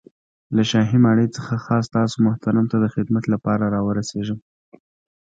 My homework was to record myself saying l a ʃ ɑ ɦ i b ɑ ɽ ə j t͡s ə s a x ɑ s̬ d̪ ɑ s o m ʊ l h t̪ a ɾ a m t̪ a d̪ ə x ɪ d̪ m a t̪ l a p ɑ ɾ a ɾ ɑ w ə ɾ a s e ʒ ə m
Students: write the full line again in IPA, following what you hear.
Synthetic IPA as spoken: l a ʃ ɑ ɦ i m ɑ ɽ ə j t͡s ə x a x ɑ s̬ t̪ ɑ s o m ʊ h t̪ a ɾ a m t̪ a d̪ ə x ɪ d̪ m a t̪ l a p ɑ ɾ a ɾ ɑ w ə ɾ a s e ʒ ə m